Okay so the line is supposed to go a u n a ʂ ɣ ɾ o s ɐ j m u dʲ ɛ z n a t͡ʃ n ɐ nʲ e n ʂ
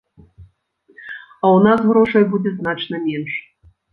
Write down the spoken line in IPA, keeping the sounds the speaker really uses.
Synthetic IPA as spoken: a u n a s ɣ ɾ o ʂ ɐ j b u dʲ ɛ z n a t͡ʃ n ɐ mʲ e n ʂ